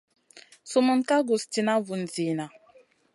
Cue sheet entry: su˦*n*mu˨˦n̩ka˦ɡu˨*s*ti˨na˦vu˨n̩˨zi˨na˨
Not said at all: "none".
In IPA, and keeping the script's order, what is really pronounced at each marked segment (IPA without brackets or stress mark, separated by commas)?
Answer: none, s